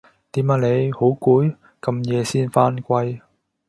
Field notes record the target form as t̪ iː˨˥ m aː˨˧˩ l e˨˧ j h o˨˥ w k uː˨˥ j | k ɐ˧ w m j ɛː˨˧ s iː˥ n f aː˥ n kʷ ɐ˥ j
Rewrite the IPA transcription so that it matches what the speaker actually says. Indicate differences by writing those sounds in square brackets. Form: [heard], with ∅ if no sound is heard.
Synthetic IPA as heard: t̪ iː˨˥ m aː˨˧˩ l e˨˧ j h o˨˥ w k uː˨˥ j | k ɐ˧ [∅] m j ɛː˨˧ s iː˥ n f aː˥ n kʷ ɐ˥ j

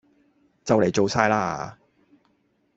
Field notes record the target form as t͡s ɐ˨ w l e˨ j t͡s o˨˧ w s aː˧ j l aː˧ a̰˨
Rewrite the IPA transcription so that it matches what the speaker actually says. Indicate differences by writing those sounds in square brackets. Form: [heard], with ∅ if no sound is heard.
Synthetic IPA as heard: t͡s ɐ˨ w l e˨ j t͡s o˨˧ w s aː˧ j l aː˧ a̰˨

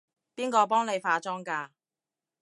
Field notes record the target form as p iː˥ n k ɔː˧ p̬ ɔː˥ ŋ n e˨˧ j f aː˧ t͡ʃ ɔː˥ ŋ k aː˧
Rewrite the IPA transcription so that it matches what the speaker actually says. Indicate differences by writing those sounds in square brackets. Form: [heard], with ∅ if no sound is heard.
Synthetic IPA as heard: p iː˥ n k ɔː˧ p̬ ɔː˥ ŋ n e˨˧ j f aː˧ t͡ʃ ɔː˥ ŋ k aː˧

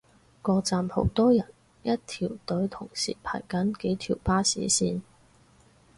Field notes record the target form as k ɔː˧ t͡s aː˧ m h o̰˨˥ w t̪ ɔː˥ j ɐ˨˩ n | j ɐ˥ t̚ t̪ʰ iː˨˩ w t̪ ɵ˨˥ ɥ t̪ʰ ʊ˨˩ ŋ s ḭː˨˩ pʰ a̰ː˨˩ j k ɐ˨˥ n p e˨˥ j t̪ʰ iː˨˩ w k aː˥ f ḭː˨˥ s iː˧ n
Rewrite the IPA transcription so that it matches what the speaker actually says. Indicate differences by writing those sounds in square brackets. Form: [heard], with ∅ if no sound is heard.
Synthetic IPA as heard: k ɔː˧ t͡s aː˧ m h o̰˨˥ w t̪ ɔː˥ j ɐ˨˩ n | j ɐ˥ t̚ t̪ʰ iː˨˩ w t̪ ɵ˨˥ ɥ t̪ʰ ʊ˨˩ ŋ s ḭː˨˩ pʰ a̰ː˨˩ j k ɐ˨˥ n [k] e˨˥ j t̪ʰ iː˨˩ w [p] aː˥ [s] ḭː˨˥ s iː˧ n

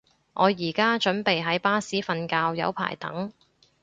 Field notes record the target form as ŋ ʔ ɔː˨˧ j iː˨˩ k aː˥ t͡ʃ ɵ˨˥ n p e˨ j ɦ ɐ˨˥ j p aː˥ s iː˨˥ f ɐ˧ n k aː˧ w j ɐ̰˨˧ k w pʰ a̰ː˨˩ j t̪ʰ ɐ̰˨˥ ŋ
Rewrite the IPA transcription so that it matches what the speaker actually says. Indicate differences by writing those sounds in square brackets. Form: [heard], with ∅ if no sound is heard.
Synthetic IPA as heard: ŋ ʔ ɔː˨˧ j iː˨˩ k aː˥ t͡ʃ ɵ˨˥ n p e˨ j ɦ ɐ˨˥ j p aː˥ s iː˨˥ f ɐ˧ n k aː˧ w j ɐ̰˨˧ [∅] w pʰ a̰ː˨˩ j [t̪] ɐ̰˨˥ ŋ

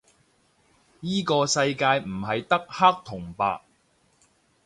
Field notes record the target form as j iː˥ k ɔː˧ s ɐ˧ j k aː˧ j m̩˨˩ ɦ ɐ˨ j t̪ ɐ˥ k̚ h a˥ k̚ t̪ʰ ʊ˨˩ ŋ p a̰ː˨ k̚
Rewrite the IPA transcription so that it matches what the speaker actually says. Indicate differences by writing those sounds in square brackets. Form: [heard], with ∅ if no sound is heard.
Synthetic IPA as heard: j iː˥ k ɔː˧ s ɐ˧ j k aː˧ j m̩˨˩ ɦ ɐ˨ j t̪ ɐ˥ k̚ h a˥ k̚ t̪ʰ ʊ˨˩ ŋ p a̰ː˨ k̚

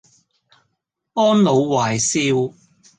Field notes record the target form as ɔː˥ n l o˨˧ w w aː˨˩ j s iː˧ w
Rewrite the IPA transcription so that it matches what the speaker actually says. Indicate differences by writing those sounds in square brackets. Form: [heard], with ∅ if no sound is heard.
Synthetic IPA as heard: ɔː˥ n l o˨˧ w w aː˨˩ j s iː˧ w

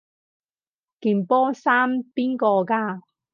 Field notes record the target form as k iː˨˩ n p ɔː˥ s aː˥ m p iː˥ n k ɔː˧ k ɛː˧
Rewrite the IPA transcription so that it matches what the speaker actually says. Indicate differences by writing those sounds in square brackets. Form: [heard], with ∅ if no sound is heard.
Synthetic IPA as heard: k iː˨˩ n p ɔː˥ s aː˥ m p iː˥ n k ɔː˧ k [aː˧]

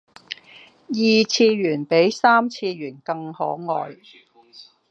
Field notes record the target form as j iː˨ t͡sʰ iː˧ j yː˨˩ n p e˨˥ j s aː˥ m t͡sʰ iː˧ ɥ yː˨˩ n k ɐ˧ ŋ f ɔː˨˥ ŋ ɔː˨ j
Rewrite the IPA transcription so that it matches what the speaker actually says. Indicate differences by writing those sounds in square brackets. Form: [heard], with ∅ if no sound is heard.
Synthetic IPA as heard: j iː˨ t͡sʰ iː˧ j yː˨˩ n p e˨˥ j s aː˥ m t͡sʰ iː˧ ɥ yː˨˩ n k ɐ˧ ŋ [h] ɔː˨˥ ŋ ɔː˨ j

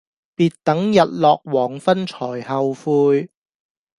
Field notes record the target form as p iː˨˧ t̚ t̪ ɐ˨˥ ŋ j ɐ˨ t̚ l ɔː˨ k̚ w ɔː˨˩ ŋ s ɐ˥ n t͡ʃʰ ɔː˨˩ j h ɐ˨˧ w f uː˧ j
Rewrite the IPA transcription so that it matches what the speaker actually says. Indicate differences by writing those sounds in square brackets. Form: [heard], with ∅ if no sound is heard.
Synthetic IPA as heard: p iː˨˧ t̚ t̪ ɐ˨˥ ŋ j ɐ˨ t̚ l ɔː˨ k̚ w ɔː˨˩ ŋ [f] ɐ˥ n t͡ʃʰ ɔː˨˩ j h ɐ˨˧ w f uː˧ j

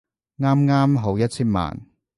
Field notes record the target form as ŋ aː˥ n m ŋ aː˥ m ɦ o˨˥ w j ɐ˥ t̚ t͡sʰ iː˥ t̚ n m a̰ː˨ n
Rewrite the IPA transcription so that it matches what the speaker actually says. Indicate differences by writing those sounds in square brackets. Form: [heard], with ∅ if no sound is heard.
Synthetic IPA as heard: ŋ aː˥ [∅] m ŋ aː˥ m ɦ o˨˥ w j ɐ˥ t̚ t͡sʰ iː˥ [∅] n m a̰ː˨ n

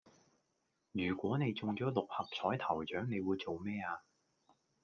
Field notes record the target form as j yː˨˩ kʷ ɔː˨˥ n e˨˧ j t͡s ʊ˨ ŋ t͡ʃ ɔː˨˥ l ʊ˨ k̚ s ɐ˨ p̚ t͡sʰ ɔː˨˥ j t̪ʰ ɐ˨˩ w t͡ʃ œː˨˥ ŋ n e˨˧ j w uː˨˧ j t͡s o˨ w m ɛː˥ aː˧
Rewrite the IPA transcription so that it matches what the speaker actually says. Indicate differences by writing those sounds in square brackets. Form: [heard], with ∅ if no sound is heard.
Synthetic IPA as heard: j yː˨˩ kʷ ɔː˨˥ n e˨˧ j t͡s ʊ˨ ŋ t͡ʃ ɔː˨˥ l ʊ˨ k̚ [h] ɐ˨ p̚ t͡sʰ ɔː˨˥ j t̪ʰ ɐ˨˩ w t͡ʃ œː˨˥ ŋ n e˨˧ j w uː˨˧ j t͡s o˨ w m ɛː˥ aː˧

